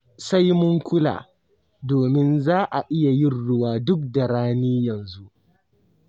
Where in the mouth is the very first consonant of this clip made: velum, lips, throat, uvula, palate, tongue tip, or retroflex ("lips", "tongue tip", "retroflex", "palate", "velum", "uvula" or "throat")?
tongue tip